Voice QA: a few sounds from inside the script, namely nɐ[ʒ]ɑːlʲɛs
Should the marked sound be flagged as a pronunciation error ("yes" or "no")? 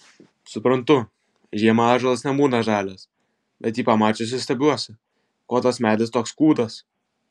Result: no